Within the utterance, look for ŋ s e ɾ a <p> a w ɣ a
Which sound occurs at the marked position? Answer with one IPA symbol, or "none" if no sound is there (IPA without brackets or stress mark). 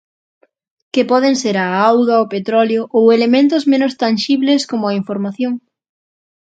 none